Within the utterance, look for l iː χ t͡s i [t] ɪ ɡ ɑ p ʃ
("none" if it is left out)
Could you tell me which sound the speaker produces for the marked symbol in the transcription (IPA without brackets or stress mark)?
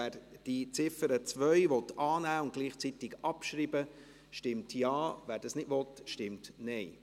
t